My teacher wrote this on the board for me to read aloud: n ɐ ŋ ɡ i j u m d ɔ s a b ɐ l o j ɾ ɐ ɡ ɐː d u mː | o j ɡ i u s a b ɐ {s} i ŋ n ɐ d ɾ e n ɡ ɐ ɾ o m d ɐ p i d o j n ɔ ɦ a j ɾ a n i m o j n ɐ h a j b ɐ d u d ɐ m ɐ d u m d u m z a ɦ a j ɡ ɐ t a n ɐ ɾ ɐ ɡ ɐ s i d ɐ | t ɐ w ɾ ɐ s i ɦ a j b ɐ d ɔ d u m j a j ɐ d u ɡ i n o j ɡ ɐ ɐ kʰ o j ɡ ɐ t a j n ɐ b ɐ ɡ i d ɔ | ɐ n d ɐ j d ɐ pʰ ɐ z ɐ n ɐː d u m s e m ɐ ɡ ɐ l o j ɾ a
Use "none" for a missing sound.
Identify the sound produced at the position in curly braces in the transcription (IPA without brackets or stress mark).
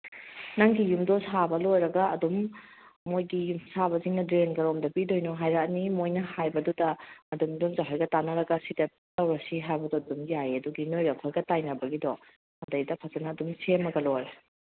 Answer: z